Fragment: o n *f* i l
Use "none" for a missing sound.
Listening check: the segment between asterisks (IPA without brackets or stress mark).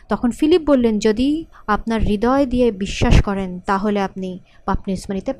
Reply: f